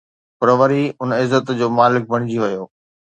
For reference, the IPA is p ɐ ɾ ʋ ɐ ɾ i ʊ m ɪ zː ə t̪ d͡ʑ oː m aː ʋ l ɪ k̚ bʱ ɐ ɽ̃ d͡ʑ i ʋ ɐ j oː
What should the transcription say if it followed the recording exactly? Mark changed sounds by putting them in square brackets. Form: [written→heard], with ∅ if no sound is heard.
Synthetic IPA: p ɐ ɾ ʋ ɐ ɾ i ʊ [m→n] ɪ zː ə t̪ d͡ʑ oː m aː [ʋ→∅] l ɪ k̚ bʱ ɐ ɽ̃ d͡ʑ i ʋ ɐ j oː

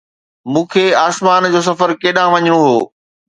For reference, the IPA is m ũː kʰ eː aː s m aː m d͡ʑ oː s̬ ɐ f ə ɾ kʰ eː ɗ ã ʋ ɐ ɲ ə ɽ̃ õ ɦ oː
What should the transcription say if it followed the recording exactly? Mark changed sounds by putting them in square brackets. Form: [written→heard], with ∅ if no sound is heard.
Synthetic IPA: m ũː kʰ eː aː s m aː [m→n] d͡ʑ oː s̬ ɐ f ə ɾ [kʰ→k] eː ɗ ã ʋ ɐ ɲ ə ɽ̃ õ ɦ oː

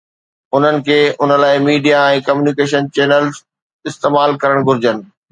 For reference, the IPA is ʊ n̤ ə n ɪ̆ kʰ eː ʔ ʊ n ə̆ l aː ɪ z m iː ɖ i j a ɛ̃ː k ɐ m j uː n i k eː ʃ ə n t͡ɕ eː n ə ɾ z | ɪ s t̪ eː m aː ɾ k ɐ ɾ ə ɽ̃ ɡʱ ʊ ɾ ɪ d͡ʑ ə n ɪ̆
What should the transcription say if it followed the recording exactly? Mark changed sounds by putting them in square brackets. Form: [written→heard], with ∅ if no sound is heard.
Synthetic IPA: ʊ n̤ ə n ɪ̆ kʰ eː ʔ ʊ n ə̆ l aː ɪ [z→∅] m iː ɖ i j a ɛ̃ː k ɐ m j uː n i k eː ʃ ə n t͡ɕ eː n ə [ɾ→l] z | ɪ s t̪ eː m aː [ɾ→l] k ɐ ɾ ə ɽ̃ ɡʱ ʊ ɾ ɪ d͡ʑ ə n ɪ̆

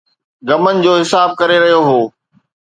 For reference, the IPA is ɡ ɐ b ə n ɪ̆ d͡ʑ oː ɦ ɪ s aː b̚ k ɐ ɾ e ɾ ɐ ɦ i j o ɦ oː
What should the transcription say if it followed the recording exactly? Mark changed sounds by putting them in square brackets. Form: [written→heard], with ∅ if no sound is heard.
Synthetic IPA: ɡ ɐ [b→m] ə n ɪ̆ d͡ʑ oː ɦ ɪ s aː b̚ k ɐ ɾ e ɾ ɐ ɦ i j o ɦ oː

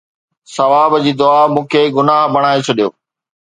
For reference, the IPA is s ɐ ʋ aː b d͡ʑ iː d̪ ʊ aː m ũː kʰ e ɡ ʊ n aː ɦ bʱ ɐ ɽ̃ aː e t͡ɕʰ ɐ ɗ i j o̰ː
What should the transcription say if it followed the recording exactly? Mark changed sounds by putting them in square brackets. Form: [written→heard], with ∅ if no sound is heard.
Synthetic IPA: s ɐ ʋ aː b d͡ʑ iː d̪ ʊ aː m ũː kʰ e ɡ ʊ n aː ɦ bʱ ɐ ɽ̃ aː e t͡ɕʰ ɐ ɗ i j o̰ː

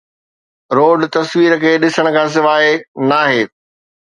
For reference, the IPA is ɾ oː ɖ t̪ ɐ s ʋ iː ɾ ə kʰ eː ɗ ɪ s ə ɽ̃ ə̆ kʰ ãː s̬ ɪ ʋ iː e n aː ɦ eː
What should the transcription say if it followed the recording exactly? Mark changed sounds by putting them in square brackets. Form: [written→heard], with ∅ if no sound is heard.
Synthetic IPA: ɾ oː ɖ t̪ ɐ s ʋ iː ɾ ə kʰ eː ɗ ɪ s ə ɽ̃ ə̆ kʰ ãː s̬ ɪ ʋ [iː→aː] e n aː ɦ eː

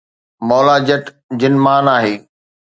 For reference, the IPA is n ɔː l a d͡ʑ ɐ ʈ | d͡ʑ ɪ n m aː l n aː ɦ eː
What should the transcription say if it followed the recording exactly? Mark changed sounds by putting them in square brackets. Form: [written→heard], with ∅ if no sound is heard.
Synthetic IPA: [n→m] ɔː l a d͡ʑ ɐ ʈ | d͡ʑ ɪ n m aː [l→∅] n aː ɦ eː

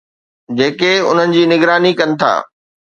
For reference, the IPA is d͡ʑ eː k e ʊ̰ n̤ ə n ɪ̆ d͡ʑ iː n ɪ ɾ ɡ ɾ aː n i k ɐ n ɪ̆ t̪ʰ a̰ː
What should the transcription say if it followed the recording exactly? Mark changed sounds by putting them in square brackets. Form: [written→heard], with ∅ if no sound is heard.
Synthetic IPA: d͡ʑ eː k e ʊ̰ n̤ ə n ɪ̆ d͡ʑ iː n ɪ [ɾ→∅] ɡ ɾ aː n i k ɐ n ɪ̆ t̪ʰ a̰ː

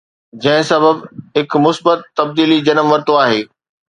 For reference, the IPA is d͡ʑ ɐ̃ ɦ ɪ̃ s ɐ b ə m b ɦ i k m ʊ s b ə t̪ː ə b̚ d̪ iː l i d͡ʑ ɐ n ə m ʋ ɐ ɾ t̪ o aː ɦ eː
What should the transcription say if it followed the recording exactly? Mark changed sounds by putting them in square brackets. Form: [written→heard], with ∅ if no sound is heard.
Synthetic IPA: d͡ʑ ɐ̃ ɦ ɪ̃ s ɐ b ə [m→∅] b ɦ [i→ɪ] k m ʊ s b ə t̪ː [ə→ɐ] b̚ d̪ iː l i d͡ʑ ɐ n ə m ʋ ɐ ɾ t̪ o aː ɦ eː

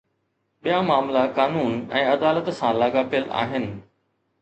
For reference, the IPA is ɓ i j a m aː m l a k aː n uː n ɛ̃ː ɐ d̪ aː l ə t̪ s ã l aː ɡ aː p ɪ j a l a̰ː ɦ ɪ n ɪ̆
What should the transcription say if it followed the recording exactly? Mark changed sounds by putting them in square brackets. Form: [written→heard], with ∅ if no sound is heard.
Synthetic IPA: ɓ i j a m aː m l a k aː n uː n ɛ̃ː ɐ d̪ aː l ə t̪ s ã l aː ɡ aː p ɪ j [a→ə] l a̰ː ɦ ɪ n ɪ̆

